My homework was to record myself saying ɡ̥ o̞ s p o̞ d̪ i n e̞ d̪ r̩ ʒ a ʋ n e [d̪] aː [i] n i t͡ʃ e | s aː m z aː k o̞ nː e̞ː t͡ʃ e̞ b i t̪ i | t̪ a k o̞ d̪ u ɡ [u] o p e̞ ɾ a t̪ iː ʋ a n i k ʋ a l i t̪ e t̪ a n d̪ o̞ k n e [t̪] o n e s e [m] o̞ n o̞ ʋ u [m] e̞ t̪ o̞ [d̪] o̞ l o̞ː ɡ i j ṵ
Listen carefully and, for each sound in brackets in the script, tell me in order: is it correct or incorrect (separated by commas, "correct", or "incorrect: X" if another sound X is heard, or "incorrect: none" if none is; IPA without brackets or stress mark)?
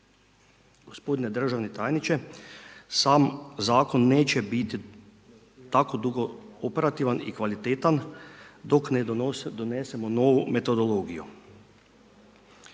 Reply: incorrect: t̪, incorrect: j, incorrect: o, incorrect: d̪, correct, correct, correct